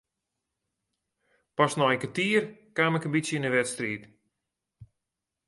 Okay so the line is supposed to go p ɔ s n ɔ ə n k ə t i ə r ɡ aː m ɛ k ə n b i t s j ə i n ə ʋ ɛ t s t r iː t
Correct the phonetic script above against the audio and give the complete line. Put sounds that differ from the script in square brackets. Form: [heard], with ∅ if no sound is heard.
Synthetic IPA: p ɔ s n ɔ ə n k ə t i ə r [k] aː m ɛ k ə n b i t s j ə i n ə ʋ ɛ t s t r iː t